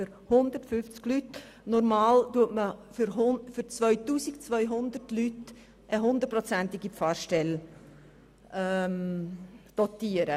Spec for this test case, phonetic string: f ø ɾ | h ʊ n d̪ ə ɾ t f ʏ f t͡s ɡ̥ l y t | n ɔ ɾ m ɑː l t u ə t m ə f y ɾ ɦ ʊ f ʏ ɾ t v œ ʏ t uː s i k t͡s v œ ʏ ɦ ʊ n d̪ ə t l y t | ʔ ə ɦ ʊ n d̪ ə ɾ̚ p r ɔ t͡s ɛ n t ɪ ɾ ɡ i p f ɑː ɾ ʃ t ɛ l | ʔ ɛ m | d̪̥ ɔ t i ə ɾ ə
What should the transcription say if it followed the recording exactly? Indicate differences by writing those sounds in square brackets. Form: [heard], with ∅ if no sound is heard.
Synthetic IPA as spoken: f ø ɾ | h ʊ n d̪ ə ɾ t f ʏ f t͡s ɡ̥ l y t | n ɔ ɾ m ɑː l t u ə t m ə f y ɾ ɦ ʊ f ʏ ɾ [t͡s] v œ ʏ t uː s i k t͡s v œ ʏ ɦ ʊ n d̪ ə t l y t | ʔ ə ɦ ʊ n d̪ ə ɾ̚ p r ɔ t͡s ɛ n t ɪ [∅] ɡ i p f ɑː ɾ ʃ t ɛ l | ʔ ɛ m | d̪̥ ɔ t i ə ɾ ə